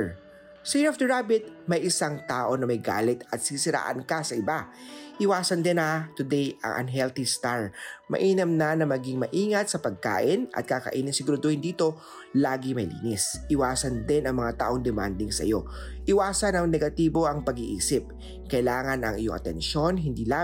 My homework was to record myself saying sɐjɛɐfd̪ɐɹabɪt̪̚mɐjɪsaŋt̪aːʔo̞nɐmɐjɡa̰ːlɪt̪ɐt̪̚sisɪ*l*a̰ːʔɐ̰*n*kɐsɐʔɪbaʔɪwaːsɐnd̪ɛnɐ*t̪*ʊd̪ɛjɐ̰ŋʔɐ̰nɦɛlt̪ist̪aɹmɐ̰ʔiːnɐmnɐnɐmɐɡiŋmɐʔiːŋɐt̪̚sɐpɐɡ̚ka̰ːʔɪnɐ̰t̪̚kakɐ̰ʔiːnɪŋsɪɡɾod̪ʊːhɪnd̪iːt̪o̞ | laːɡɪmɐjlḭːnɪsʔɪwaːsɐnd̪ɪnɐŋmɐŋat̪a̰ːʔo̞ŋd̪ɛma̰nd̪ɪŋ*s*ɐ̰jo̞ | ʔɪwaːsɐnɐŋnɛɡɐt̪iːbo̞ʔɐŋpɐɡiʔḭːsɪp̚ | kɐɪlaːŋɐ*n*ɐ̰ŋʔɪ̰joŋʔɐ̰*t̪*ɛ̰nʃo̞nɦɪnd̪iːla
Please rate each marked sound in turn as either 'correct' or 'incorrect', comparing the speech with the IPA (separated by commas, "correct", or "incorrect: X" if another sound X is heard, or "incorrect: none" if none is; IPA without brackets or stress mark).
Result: incorrect: ɾ, correct, correct, correct, correct, correct